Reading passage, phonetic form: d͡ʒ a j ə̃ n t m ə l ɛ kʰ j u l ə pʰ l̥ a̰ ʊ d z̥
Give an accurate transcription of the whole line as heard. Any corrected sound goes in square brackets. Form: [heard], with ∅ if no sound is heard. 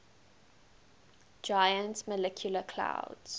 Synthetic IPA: d͡ʒ a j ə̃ n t m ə l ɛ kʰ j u l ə [kʰ] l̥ a̰ ʊ d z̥